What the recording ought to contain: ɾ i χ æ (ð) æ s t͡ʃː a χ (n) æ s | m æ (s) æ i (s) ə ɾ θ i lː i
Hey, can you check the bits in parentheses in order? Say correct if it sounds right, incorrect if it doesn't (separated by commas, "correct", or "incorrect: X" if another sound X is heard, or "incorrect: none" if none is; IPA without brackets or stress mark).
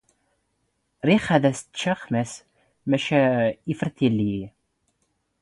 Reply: correct, incorrect: m, incorrect: ʃ, incorrect: f